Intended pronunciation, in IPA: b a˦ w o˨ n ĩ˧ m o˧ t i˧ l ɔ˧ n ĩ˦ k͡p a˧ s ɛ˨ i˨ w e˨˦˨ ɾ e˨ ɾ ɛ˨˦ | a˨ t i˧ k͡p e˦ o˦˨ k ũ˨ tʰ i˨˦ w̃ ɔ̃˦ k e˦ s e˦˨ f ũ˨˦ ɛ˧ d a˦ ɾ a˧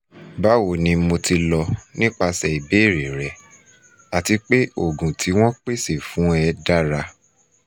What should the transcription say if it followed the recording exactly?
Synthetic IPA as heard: b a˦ w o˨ n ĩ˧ m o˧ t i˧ l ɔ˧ n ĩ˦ k͡p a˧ s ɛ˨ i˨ b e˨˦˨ ɾ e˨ ɾ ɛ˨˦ | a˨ t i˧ k͡p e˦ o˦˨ ɡ ũ˨ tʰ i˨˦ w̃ ɔ̃˦ k͡p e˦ s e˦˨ f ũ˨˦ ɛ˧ d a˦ ɾ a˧